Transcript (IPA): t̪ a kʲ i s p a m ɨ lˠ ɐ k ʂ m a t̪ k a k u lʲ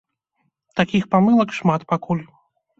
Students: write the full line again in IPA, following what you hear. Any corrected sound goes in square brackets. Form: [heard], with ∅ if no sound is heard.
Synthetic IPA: t̪ a kʲ i [x] p a m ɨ lˠ ɐ k ʂ m a t̪ [p] a k u lʲ